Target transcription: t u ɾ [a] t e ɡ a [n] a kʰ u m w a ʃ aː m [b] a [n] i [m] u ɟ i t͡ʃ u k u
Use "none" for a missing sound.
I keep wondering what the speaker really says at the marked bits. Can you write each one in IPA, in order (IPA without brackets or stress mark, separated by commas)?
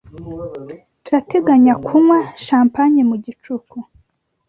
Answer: a, ɲ, p, ɲ, m